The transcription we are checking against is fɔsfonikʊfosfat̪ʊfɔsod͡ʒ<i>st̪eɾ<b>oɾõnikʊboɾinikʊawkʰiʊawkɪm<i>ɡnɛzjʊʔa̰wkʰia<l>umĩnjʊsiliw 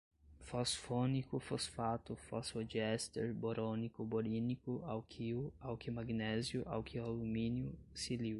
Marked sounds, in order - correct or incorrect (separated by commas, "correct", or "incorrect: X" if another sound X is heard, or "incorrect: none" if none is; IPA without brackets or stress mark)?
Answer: incorrect: ɛ, correct, incorrect: a, correct